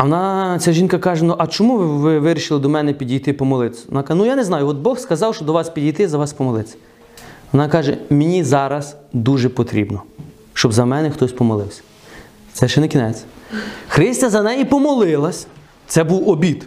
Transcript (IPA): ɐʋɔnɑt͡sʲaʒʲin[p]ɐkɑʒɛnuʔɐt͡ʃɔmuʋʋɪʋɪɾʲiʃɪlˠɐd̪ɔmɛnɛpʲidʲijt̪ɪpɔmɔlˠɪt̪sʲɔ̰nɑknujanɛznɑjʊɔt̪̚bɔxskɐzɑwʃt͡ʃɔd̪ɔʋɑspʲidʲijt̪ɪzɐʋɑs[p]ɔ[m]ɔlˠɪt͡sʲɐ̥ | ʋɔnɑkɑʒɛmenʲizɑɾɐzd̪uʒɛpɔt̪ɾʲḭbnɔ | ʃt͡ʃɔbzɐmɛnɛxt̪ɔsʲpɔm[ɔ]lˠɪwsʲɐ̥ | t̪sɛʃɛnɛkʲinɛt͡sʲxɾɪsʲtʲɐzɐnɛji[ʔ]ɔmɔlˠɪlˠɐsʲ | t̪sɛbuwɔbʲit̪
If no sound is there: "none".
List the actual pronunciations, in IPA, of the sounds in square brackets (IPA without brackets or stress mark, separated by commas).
k, p, m, ɔ, p